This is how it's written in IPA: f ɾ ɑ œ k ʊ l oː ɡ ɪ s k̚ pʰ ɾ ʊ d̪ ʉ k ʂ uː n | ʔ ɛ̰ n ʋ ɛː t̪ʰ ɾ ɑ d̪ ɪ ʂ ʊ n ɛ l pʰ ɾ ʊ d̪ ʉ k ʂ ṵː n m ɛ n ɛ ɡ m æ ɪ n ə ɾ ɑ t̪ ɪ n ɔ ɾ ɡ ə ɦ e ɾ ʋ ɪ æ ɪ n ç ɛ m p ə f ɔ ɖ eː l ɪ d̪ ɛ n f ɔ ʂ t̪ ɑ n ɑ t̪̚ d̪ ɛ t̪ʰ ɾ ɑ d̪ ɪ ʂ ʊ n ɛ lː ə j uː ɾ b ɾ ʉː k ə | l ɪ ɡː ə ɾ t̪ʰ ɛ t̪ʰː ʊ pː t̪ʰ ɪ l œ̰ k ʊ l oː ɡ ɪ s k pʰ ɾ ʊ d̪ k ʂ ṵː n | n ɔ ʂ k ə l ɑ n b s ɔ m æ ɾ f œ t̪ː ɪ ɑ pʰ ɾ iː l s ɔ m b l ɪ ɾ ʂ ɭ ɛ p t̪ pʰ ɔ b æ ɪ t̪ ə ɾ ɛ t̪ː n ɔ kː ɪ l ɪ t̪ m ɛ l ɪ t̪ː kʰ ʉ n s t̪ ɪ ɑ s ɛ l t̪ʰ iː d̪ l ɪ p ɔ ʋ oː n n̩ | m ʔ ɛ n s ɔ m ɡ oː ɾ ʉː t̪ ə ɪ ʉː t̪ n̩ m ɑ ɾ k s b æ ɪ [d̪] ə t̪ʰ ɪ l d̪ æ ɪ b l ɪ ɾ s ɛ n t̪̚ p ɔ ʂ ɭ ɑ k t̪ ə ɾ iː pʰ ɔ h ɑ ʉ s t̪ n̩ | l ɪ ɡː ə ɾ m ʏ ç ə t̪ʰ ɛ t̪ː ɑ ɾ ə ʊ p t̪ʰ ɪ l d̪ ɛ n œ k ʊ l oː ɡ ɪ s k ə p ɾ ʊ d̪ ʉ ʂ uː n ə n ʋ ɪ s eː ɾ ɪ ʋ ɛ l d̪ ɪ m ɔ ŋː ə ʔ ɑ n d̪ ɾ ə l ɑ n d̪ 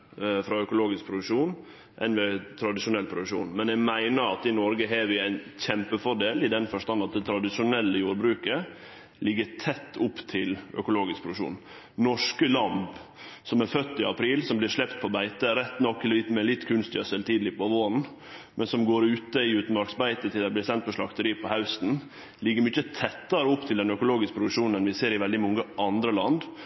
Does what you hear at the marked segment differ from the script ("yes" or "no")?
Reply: yes